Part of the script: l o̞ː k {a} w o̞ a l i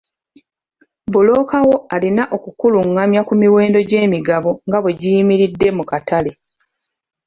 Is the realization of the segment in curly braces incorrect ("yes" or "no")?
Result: no